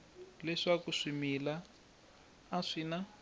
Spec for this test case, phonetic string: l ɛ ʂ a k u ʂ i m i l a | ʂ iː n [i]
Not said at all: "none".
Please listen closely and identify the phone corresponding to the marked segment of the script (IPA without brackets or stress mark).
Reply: a